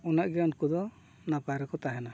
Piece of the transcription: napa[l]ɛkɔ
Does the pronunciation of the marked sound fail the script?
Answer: yes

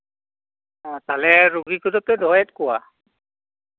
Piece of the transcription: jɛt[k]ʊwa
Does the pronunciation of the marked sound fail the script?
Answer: no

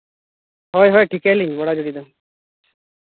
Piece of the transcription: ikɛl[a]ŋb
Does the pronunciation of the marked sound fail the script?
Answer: yes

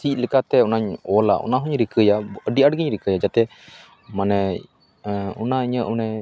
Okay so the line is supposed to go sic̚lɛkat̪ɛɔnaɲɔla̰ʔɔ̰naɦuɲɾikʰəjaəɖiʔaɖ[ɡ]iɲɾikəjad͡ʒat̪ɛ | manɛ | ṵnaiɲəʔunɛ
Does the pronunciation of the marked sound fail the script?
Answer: no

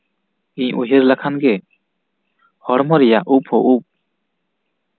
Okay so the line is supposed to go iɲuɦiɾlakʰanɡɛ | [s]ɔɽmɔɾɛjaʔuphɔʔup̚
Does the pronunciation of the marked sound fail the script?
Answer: yes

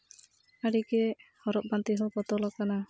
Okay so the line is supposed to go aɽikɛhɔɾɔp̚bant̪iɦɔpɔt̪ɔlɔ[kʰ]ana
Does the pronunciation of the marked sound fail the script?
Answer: yes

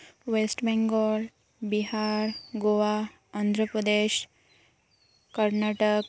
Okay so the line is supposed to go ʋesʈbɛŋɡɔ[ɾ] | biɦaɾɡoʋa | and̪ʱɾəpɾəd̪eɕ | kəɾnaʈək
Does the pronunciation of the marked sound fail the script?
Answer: yes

